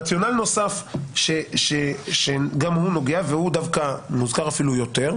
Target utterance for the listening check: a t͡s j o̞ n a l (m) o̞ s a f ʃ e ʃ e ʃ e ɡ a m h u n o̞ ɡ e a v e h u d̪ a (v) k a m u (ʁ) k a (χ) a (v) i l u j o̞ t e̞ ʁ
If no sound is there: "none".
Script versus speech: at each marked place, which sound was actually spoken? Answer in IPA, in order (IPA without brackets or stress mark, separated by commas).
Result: n, v, z, ʁ, f